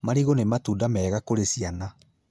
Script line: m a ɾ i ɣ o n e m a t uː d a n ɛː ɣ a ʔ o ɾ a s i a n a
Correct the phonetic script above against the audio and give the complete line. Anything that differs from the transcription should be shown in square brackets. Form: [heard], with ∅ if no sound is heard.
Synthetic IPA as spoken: m a ɾ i ɣ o n e m a t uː d a [m] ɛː ɣ a [k] o ɾ [e] s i a n a